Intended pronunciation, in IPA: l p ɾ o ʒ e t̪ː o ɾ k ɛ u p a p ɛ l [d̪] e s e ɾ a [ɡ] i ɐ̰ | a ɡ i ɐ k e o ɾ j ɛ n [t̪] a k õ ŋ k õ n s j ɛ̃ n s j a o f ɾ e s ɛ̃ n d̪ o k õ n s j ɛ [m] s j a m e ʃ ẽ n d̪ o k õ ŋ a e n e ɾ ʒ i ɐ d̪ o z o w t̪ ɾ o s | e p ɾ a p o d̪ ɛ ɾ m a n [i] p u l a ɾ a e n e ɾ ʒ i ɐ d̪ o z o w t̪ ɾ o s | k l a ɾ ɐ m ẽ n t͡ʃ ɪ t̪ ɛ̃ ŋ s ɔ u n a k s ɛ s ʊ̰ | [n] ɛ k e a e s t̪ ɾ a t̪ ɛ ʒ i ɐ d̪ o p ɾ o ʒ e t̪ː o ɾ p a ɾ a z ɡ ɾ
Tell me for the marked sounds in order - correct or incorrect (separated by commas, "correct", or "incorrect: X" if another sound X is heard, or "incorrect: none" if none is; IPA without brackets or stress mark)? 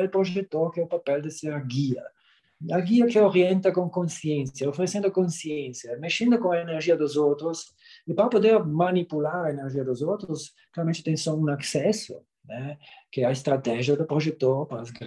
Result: correct, correct, correct, incorrect: n, correct, correct